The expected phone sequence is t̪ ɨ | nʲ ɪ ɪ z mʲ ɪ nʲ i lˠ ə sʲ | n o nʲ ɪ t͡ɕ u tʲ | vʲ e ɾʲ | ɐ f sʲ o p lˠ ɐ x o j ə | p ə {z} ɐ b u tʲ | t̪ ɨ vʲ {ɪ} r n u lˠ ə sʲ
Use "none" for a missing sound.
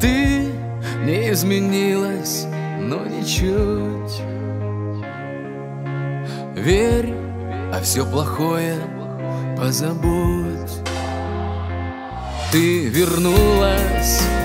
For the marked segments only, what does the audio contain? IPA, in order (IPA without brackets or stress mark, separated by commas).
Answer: z, ɪ